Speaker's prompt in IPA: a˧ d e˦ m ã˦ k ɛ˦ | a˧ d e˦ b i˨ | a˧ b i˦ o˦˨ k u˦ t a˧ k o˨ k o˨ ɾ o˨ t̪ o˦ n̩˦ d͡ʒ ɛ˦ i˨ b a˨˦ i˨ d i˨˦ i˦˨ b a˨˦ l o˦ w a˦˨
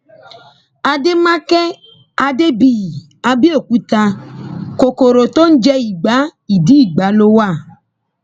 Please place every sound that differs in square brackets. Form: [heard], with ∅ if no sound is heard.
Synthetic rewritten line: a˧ d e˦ m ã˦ k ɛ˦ | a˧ d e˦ b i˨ | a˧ b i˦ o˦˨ k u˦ t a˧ k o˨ k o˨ ɾ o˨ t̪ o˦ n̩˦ d͡ʒ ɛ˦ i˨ [ɡ͡b] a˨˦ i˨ d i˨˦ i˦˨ [ɡ͡b] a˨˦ l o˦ w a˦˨